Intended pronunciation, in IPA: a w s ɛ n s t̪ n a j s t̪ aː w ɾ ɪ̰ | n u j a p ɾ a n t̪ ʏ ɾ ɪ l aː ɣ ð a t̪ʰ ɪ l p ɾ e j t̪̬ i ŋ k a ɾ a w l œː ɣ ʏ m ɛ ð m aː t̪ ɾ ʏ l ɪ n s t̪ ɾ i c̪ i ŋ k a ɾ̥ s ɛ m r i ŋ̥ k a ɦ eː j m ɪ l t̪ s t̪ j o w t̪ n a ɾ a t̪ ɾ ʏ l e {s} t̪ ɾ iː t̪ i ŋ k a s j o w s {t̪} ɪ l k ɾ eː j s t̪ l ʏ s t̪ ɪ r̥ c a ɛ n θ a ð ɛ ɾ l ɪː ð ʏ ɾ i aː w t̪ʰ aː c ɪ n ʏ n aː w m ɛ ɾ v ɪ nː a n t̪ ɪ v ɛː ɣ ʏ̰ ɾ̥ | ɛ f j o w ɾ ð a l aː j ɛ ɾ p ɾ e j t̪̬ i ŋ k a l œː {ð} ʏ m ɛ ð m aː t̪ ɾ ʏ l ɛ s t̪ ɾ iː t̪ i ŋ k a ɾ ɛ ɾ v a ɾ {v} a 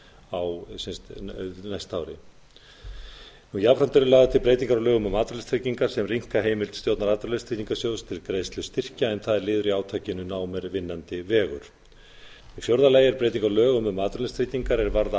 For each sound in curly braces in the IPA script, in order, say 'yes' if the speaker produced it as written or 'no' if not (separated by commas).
yes, no, no, no